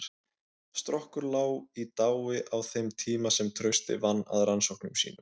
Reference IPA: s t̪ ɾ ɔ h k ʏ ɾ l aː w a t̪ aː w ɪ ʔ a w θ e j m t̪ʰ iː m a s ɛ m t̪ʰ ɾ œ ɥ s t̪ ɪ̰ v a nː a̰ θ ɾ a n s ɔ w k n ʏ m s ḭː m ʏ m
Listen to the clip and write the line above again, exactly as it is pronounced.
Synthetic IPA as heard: s t̪ ɾ ɔ h k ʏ ɾ l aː w i t̪ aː w ɪ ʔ a w θ e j m t̪ʰ iː m a s ɛ m t̪ʰ ɾ œ ɥ s t̪ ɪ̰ v a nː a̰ ð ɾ a n s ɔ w k n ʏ m s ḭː n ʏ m